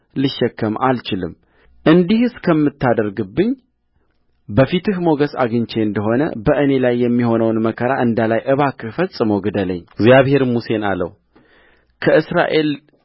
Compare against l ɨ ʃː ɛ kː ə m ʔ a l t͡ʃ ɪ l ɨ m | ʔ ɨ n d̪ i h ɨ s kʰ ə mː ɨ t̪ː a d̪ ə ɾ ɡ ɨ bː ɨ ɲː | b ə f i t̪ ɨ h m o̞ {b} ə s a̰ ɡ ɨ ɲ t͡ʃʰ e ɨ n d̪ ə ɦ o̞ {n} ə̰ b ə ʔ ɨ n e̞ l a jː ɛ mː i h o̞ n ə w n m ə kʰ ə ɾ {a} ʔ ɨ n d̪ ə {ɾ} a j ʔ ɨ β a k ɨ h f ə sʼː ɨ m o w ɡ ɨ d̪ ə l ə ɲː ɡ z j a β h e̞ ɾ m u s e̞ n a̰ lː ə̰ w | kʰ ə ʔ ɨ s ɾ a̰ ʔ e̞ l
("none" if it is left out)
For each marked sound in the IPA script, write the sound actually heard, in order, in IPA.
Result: ɡ, n, a, l

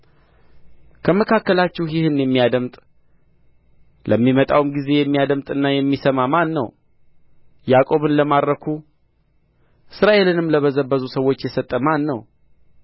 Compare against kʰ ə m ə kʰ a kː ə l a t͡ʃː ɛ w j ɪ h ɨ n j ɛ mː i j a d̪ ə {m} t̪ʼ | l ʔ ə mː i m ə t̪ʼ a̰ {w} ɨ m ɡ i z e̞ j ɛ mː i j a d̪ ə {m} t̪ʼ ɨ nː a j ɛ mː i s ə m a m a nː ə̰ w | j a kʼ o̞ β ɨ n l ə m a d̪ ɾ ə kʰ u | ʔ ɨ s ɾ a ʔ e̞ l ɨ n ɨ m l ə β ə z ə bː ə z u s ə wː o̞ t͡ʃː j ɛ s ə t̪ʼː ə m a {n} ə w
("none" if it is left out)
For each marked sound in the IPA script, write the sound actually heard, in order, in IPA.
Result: m, w, m, nː

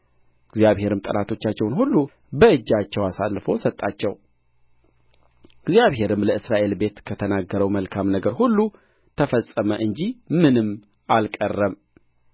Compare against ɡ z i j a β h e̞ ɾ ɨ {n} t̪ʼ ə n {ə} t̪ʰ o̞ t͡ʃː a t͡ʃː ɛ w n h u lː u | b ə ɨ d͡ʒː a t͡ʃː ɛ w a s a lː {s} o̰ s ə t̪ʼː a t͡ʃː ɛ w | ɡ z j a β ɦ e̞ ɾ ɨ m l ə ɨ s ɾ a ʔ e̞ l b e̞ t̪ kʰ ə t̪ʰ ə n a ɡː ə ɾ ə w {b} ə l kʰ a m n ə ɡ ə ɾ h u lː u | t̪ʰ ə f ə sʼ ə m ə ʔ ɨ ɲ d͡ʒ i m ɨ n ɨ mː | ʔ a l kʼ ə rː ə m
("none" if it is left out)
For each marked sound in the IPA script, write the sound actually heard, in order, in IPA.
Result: m, a, f, m

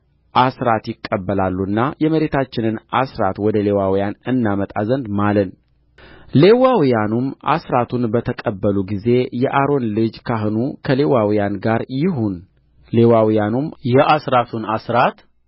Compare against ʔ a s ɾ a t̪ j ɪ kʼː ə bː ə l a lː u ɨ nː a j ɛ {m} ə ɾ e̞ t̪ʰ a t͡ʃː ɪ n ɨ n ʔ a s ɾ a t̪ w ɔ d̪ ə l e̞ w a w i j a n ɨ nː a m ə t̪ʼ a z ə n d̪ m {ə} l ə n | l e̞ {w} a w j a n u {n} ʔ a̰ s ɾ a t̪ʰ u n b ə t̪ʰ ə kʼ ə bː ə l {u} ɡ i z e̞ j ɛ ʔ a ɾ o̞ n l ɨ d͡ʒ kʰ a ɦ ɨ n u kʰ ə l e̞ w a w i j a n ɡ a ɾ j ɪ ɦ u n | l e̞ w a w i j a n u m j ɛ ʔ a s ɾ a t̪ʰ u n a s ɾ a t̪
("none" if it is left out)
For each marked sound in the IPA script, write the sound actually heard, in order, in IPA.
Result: m, a, w, m, u

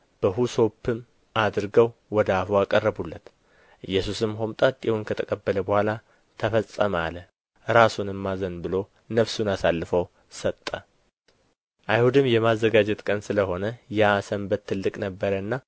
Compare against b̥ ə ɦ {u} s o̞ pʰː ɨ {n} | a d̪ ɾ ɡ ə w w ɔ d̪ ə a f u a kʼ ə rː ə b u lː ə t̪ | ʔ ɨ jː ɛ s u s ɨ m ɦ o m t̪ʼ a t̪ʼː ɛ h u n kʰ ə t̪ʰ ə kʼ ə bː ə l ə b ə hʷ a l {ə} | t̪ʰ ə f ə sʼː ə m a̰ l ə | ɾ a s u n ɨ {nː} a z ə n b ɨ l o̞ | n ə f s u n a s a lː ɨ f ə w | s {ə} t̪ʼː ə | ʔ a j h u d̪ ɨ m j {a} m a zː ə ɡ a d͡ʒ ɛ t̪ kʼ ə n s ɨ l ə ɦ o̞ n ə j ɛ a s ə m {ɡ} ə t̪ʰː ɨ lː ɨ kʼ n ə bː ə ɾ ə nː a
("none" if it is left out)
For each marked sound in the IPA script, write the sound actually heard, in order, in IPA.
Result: u, m, a, mː, ə, ɛ, b

